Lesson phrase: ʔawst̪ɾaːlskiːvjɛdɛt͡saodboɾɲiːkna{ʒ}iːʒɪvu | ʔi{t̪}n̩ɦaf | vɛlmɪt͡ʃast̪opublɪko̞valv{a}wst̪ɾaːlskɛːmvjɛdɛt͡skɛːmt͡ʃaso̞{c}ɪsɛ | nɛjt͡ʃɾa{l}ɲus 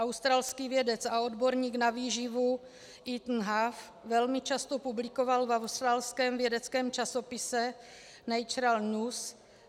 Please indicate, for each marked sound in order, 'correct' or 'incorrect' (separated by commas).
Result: incorrect, correct, correct, incorrect, correct